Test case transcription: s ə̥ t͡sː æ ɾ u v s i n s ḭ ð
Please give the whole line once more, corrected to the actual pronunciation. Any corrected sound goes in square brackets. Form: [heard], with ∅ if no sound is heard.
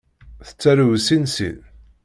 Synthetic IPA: [θ] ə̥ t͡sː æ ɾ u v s i n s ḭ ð